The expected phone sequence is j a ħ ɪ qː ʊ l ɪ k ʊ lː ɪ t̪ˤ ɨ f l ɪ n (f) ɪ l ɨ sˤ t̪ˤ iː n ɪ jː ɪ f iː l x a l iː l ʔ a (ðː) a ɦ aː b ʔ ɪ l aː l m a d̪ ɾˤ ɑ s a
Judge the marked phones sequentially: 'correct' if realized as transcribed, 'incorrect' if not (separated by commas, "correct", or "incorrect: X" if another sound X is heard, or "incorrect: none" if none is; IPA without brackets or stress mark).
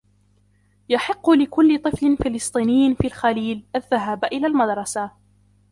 correct, correct